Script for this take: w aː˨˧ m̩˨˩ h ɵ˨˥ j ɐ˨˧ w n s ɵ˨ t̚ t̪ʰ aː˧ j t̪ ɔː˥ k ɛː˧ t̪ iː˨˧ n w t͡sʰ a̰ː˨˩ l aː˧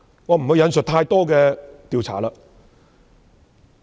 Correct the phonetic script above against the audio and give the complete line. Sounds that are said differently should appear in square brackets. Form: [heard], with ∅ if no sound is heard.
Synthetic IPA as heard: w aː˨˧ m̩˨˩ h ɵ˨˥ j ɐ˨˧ [∅] n s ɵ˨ t̚ t̪ʰ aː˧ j t̪ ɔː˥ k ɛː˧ t̪ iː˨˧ [∅] w t͡sʰ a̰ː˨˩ l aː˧